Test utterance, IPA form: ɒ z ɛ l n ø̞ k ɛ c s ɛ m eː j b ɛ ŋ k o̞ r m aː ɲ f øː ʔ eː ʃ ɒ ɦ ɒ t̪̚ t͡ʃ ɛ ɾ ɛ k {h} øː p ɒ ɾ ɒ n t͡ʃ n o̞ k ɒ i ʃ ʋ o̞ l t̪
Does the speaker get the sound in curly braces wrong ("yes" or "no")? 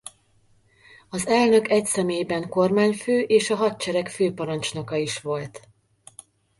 yes